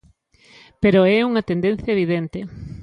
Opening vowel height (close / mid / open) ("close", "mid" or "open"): mid